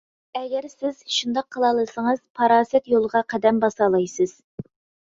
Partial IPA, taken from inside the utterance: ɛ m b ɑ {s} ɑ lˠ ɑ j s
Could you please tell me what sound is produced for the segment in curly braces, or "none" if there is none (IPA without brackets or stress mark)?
s